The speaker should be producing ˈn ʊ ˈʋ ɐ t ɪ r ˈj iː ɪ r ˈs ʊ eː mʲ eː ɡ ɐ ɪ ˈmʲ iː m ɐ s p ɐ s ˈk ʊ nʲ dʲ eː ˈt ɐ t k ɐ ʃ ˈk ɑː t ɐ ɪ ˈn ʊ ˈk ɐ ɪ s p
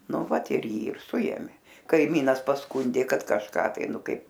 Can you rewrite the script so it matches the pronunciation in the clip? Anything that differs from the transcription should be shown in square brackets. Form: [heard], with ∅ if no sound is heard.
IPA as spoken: ˈn ʊ ˈʋ ɐ t ɪ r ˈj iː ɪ r ˈs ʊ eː mʲ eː [k] ɐ ɪ ˈmʲ iː [n] ɐ s p ɐ s ˈk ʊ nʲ dʲ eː [ˈk] ɐ t k ɐ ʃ ˈk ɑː t ɐ ɪ ˈn ʊ ˈk ɐ ɪ [∅] p